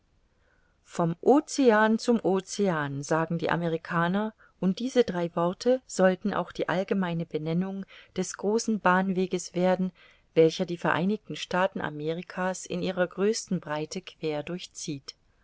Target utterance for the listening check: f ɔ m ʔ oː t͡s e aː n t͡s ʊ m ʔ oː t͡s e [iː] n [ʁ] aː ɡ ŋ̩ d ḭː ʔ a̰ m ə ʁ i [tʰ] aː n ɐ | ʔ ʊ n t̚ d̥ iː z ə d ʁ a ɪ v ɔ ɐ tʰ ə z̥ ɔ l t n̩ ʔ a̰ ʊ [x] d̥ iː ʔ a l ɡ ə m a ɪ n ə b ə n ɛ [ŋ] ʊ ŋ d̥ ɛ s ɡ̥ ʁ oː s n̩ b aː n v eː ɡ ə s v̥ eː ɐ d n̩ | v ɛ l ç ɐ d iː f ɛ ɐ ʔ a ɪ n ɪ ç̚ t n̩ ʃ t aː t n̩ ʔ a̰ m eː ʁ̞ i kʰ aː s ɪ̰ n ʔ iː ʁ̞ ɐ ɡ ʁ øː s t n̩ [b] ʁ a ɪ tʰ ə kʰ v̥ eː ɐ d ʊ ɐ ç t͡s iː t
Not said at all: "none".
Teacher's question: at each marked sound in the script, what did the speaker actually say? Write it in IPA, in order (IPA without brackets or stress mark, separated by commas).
aː, z, kʰ, x, n, b